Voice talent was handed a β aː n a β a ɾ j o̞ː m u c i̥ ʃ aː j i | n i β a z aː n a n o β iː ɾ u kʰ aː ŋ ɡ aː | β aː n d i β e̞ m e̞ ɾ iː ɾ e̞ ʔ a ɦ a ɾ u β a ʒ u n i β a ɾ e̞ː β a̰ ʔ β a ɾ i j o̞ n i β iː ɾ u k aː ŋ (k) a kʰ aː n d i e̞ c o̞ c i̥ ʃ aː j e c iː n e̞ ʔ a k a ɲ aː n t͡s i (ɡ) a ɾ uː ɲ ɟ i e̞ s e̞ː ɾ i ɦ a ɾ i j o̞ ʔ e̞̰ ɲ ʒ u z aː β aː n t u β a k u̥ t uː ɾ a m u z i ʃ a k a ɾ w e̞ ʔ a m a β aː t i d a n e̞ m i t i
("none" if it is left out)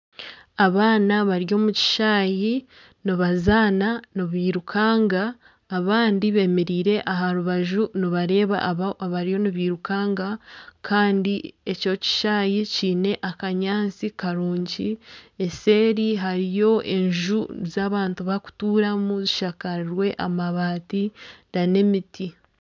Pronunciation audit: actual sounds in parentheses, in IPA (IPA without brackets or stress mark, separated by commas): ɡ, k